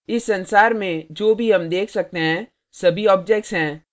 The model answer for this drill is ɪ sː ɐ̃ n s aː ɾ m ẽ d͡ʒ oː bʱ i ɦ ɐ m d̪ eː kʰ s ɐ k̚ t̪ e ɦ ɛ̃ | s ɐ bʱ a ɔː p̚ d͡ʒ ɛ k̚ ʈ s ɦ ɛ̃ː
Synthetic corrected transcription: ɪ sː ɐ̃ n s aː ɾ m ẽ d͡ʒ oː bʱ i ɦ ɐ m d̪ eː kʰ s ɐ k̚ t̪ e ɦ ɛ̃ | s ɐ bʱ i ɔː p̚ d͡ʒ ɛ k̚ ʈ s ɦ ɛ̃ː